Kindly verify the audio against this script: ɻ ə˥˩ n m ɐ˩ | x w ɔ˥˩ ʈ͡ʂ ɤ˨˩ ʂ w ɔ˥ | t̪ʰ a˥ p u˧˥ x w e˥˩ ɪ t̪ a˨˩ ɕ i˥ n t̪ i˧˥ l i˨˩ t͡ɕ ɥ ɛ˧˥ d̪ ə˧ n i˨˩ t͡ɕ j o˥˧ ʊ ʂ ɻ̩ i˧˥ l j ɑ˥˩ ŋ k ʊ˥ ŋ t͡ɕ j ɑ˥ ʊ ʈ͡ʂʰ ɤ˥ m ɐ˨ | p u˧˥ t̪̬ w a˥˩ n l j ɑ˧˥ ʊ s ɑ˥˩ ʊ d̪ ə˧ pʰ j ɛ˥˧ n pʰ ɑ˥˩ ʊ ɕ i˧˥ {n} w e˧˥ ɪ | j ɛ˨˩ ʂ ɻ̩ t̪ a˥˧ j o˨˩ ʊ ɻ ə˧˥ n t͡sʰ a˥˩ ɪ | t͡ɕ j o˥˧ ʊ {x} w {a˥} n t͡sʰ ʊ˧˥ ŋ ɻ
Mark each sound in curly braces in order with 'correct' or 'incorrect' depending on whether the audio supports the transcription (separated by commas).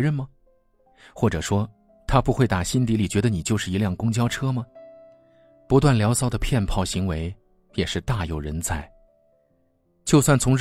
incorrect, incorrect, incorrect